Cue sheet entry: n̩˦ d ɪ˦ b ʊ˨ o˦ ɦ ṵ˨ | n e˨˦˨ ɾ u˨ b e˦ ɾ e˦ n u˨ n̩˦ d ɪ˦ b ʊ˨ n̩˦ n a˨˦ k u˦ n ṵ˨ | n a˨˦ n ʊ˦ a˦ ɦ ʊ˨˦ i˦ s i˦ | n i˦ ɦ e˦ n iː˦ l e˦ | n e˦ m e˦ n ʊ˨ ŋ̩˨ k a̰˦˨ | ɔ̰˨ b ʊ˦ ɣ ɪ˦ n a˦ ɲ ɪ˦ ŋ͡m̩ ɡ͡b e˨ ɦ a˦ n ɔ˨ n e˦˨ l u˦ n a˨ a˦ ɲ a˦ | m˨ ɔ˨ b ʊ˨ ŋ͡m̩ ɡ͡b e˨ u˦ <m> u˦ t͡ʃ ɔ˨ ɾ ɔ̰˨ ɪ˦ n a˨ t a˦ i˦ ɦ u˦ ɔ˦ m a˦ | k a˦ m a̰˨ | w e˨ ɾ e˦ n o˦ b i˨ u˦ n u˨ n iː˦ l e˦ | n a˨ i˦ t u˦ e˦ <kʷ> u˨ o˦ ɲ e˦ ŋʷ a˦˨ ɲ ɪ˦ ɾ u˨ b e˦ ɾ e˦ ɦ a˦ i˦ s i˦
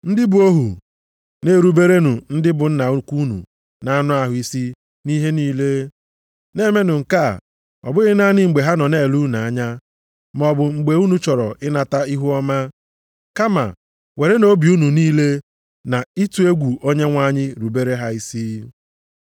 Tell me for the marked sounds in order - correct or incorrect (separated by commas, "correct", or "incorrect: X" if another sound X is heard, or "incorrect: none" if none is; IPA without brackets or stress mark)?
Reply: incorrect: n, incorrect: ɡʷ